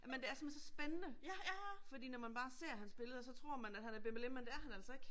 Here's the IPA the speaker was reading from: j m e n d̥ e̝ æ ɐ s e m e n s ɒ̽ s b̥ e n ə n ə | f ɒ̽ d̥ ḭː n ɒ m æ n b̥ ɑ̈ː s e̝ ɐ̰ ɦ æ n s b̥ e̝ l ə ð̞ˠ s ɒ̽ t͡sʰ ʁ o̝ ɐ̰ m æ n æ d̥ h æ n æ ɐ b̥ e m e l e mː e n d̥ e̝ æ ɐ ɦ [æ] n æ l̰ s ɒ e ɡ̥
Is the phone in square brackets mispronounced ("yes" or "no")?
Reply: no